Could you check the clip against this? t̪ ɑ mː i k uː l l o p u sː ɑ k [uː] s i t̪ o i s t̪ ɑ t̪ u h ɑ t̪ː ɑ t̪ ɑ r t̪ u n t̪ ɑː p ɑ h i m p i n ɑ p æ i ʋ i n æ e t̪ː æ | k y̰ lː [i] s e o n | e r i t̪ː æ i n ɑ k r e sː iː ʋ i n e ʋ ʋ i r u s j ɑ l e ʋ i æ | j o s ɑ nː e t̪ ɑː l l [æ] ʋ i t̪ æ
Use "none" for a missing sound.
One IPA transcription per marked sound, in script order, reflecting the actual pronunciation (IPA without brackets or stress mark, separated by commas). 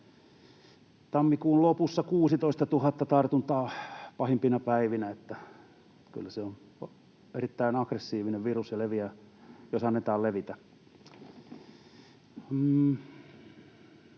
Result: uː, æ, e